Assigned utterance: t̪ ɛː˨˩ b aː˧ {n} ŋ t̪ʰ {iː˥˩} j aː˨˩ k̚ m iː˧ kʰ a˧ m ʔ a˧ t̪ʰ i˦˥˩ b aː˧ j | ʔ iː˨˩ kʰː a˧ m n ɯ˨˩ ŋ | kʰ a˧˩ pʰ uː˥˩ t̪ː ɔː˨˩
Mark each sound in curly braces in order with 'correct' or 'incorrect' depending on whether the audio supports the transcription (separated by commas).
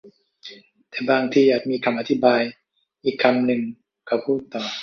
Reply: incorrect, incorrect